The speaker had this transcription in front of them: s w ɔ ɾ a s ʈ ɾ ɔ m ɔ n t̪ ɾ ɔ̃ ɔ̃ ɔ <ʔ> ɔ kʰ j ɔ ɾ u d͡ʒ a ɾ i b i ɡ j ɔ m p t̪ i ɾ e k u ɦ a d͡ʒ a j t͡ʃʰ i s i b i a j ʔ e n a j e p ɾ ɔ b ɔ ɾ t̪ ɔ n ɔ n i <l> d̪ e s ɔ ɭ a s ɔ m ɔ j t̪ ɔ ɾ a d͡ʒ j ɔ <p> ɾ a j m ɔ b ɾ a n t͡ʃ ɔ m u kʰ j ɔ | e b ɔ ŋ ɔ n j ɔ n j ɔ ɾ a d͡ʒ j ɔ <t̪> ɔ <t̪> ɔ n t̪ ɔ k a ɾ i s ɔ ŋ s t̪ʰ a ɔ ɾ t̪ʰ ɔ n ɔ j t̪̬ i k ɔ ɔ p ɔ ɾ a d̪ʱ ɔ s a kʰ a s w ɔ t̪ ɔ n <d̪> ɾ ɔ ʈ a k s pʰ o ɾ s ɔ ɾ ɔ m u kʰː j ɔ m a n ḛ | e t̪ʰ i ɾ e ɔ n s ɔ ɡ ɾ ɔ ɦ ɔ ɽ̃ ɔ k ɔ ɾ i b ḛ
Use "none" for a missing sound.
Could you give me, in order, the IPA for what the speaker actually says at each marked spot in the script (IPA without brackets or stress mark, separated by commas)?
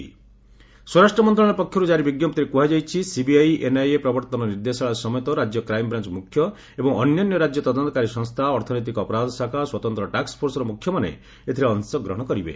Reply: p, ɾ, k, t̪, d̪, t̪